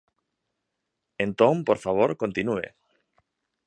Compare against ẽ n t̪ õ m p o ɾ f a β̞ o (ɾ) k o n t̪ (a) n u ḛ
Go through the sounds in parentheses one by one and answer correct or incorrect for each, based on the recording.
correct, incorrect

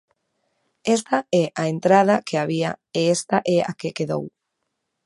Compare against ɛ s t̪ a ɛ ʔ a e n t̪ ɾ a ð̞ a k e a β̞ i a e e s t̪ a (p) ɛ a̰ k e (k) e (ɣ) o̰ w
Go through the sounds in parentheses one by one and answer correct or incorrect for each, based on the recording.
incorrect, correct, incorrect

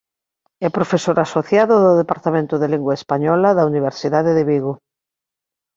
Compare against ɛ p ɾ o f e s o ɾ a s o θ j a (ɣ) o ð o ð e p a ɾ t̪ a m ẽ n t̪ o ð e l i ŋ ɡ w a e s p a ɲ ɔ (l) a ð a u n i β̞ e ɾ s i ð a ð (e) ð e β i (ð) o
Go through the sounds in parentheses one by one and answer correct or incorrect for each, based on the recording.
incorrect, correct, correct, incorrect

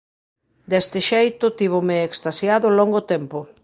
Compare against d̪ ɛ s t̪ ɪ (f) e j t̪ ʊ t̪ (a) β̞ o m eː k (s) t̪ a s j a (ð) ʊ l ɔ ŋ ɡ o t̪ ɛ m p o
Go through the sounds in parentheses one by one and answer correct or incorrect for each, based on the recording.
incorrect, incorrect, correct, correct

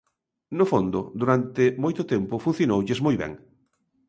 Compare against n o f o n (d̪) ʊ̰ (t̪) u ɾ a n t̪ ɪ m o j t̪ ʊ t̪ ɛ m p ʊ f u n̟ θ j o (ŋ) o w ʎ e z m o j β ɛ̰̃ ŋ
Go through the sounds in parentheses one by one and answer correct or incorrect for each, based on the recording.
correct, incorrect, incorrect

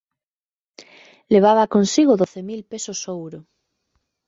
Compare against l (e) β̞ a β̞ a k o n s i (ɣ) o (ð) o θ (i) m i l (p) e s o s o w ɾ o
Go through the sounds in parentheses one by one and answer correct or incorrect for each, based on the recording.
correct, correct, correct, incorrect, correct

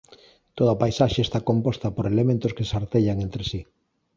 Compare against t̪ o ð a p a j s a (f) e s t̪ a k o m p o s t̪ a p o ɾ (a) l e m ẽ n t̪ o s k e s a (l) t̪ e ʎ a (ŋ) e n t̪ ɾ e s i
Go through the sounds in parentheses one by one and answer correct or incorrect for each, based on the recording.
incorrect, incorrect, incorrect, correct

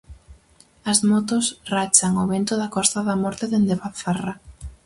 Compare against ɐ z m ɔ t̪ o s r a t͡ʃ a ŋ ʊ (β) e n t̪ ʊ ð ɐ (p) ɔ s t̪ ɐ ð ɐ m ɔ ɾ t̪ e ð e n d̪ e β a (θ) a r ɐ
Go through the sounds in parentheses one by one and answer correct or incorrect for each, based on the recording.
correct, incorrect, correct

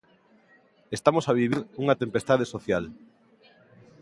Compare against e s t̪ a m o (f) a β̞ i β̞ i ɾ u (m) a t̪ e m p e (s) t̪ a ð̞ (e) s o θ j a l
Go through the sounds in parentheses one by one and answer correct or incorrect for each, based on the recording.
incorrect, incorrect, correct, correct

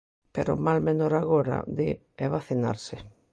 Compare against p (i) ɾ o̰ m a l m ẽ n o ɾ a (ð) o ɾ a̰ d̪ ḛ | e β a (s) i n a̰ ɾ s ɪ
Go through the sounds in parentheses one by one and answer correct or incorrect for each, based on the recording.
incorrect, incorrect, incorrect

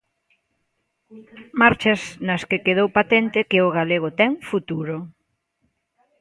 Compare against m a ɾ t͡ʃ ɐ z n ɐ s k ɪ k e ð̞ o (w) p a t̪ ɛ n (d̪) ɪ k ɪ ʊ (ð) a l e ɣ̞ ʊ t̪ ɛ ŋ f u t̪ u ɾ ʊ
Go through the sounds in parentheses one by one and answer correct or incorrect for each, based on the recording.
correct, incorrect, incorrect

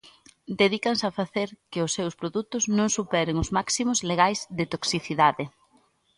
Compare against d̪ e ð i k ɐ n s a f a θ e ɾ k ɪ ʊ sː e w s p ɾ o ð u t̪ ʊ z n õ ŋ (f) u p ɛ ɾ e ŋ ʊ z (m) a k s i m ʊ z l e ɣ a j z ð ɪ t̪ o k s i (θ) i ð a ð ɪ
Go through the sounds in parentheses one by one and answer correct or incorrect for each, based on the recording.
incorrect, correct, correct

